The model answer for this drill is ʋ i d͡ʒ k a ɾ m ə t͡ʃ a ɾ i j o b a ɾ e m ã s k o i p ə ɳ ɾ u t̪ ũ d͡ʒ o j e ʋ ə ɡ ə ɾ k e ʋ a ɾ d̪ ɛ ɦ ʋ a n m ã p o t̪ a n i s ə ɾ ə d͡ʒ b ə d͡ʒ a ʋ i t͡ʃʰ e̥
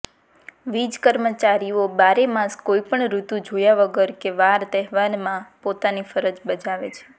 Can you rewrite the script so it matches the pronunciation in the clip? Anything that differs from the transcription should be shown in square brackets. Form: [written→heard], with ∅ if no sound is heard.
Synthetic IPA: ʋ i d͡ʒ k [a→ə] ɾ m ə t͡ʃ a ɾ i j o b a ɾ e m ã s k o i p ə ɳ ɾ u t̪ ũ d͡ʒ o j [e→a] ʋ ə ɡ ə ɾ k e ʋ a ɾ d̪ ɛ ɦ ʋ a n m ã p o t̪ a n i [s→f] ə ɾ ə d͡ʒ b ə d͡ʒ a ʋ [i→e] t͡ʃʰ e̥

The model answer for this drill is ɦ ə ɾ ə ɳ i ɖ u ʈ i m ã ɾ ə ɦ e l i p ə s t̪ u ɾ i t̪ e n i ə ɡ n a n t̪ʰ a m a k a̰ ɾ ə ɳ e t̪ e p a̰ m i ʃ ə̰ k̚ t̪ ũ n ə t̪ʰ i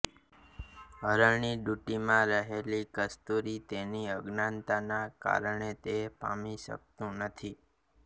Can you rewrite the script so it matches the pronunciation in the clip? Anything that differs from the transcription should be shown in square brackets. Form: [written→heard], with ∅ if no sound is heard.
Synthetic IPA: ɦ ə ɾ ə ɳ i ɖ u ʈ i m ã ɾ ə ɦ e l i [p→k] ə s t̪ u ɾ i t̪ e n i ə ɡ n a n [t̪ʰ→t̪] a [m→n] a k a̰ ɾ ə ɳ e t̪ e p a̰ m i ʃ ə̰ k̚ t̪ ũ n ə t̪ʰ i

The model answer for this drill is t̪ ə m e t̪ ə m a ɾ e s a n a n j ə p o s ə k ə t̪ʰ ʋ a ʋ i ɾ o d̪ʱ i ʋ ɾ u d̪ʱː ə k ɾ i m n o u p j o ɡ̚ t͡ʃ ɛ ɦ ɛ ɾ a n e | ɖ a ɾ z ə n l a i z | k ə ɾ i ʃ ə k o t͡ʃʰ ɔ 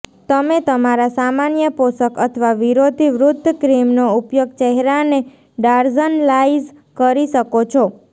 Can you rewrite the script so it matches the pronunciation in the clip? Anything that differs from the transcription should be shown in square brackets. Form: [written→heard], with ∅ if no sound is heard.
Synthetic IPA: t̪ ə m e t̪ ə m a ɾ [e→a] s a [n→m] a n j ə p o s ə k ə t̪ʰ ʋ a ʋ i ɾ o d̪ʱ i ʋ ɾ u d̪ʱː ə k ɾ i m n o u p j o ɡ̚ t͡ʃ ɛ ɦ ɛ ɾ a n e | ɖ a ɾ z ə n l a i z | k ə ɾ i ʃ ə k o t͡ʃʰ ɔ

